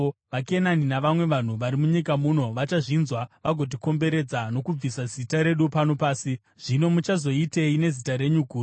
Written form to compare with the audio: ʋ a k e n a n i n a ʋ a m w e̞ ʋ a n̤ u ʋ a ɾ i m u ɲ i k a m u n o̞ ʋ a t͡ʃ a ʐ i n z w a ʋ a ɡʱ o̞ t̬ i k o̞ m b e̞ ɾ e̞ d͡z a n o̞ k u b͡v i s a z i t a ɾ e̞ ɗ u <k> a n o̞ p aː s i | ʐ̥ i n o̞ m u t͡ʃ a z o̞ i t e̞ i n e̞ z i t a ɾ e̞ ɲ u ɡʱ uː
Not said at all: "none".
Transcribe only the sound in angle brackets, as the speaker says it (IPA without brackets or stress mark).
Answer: p